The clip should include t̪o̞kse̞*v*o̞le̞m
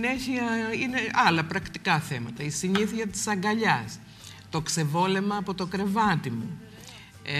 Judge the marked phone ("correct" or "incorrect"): correct